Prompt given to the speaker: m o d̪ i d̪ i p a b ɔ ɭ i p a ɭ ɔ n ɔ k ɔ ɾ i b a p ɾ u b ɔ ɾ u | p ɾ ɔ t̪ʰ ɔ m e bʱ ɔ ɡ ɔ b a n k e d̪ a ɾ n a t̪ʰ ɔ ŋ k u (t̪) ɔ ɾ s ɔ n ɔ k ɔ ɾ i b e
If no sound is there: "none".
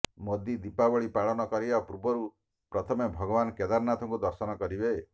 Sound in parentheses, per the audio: d̪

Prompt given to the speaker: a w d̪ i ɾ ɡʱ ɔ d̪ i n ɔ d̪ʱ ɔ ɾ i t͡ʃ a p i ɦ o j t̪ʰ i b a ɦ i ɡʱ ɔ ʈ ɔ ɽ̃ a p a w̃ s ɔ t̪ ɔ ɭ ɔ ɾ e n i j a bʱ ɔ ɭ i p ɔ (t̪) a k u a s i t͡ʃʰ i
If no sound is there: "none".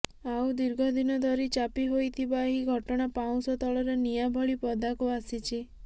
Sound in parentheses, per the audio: d̪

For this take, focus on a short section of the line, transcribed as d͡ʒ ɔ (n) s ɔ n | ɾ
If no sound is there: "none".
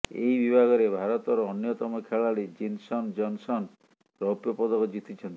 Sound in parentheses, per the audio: n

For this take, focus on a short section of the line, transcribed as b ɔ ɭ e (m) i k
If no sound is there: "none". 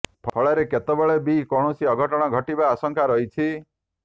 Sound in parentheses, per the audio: b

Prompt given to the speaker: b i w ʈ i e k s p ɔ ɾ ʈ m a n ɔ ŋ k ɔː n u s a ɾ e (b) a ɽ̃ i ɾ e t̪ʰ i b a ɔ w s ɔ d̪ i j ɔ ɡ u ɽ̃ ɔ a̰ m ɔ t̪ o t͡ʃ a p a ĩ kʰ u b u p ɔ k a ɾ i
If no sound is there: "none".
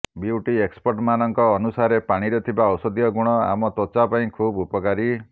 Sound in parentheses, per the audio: p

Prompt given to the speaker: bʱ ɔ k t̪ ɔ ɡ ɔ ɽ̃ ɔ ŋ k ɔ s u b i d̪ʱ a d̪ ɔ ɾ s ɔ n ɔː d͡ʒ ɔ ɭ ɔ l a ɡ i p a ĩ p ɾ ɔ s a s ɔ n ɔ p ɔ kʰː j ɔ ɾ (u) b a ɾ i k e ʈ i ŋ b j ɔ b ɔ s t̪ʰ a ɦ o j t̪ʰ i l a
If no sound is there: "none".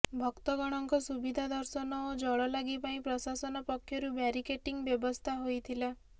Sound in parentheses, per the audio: u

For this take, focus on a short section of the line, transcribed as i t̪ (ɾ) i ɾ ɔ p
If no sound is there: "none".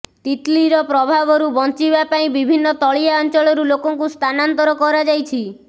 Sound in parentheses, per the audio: l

